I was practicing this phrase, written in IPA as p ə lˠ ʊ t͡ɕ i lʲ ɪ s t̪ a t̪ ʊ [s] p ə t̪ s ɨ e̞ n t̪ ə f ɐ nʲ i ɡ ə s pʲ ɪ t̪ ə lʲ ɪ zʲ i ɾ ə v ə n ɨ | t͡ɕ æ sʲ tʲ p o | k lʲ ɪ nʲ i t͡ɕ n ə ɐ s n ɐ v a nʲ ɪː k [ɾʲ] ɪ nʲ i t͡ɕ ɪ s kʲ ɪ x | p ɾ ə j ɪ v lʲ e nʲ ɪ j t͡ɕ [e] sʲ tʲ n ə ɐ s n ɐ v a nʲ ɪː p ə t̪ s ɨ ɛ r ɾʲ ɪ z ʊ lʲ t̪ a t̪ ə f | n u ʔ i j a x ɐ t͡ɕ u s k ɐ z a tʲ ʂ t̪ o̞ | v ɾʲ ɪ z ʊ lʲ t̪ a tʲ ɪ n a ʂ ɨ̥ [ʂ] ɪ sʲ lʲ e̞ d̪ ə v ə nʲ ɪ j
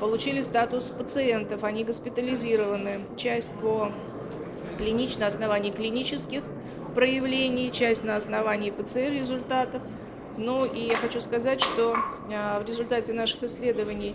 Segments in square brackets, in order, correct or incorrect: correct, incorrect: lʲ, incorrect: æ, incorrect: x

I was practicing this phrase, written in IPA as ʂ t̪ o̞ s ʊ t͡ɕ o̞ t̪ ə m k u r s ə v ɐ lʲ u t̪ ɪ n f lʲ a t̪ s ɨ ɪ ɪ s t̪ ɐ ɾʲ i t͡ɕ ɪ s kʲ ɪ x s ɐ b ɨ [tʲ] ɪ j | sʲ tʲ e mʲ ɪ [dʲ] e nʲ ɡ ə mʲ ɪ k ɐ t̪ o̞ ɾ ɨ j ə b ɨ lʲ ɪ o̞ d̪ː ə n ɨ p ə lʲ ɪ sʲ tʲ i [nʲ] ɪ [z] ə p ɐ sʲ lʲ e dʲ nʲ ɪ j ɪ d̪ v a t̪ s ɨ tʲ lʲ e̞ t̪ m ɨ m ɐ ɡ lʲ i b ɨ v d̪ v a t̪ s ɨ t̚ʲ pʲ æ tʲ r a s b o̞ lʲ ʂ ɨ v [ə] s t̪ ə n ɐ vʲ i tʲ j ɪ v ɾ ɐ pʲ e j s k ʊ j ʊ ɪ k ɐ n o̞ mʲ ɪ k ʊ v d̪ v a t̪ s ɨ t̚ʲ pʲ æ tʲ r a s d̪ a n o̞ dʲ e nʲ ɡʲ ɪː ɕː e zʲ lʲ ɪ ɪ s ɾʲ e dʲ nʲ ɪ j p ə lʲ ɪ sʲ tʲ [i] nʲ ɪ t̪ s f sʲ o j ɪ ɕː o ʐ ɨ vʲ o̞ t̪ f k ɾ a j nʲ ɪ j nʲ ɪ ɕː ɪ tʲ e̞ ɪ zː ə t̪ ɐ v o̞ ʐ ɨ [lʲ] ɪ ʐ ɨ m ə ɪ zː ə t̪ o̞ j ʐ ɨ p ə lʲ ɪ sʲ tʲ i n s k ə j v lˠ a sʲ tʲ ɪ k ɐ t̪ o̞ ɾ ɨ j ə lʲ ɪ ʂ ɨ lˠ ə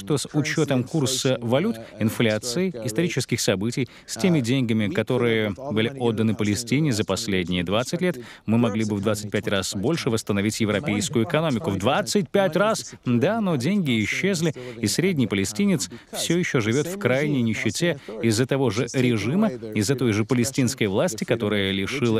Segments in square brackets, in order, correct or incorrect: correct, correct, correct, correct, correct, correct, incorrect: ɾʲ

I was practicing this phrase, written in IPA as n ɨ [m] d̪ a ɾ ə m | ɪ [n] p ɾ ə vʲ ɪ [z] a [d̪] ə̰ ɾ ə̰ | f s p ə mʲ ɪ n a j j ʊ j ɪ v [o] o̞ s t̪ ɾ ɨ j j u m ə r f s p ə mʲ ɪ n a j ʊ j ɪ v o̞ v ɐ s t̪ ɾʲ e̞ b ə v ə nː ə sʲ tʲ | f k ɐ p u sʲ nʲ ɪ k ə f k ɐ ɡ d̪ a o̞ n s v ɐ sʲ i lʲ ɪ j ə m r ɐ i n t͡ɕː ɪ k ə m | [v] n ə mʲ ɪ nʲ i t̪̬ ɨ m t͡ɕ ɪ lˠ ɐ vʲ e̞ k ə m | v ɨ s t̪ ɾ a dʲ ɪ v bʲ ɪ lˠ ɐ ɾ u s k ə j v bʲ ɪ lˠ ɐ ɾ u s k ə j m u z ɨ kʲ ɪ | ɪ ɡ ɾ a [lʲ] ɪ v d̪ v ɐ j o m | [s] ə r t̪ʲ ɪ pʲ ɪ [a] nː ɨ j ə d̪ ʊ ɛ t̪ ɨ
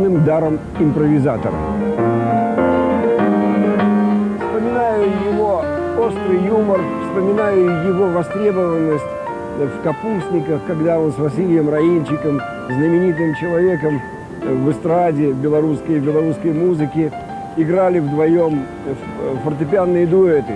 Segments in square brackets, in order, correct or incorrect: correct, incorrect: m, correct, incorrect: t̪, correct, incorrect: z, correct, incorrect: f, correct

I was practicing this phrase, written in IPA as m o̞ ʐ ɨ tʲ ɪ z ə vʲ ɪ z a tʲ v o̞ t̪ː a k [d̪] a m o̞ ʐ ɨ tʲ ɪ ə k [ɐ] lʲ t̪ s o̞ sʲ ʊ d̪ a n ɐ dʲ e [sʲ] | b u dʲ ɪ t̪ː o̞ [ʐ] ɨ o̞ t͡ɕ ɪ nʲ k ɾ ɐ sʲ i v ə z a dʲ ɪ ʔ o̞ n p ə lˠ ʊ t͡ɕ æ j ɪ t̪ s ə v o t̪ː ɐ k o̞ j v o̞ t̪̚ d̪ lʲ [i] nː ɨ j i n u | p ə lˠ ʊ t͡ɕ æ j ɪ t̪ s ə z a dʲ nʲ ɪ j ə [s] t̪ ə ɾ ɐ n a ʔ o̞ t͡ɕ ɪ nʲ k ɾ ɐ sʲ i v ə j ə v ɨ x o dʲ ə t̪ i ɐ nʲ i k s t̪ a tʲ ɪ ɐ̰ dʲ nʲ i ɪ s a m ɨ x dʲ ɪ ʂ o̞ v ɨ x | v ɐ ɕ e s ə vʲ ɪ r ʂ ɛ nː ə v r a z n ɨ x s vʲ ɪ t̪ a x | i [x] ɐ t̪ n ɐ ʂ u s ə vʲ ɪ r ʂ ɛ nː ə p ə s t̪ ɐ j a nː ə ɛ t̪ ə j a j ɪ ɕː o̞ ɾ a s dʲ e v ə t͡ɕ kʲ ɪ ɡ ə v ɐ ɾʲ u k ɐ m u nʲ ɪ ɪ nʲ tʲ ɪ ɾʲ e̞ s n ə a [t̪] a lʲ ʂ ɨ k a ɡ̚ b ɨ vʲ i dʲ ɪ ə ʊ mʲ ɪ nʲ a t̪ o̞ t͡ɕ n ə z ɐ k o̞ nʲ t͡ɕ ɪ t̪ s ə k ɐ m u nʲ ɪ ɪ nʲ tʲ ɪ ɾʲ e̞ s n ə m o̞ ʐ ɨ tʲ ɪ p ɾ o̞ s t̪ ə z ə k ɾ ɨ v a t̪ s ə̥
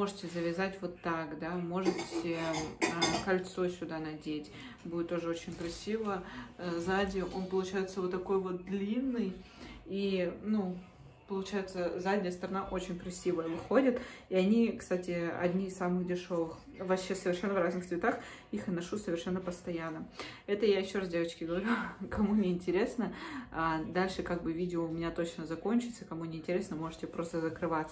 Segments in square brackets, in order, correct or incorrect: correct, correct, incorrect: tʲ, correct, correct, correct, correct, incorrect: d̪

